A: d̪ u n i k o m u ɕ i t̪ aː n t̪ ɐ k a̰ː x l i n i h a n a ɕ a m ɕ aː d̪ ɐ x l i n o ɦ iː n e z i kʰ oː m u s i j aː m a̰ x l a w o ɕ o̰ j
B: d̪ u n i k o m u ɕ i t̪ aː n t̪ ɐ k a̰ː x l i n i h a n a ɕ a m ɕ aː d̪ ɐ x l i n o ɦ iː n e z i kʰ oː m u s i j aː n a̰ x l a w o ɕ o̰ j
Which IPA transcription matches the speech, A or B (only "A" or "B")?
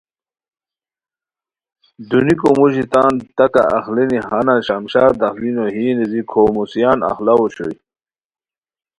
B